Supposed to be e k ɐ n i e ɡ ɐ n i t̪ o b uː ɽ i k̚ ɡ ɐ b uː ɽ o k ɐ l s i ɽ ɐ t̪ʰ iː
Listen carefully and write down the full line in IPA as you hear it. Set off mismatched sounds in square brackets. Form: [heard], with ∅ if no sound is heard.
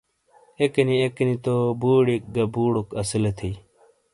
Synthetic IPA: e k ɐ n i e [k] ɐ n i t̪ o b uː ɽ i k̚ ɡ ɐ b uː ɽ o k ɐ [∅] s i [l] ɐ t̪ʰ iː